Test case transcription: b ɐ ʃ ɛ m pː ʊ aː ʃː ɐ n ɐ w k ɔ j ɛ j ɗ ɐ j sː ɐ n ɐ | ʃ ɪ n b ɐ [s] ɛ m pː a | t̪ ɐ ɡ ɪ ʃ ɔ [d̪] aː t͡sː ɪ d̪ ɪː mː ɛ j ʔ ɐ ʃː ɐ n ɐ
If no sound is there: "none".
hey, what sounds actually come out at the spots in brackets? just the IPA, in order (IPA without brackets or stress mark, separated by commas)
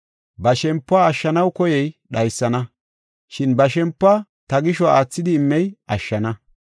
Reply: ʃ, none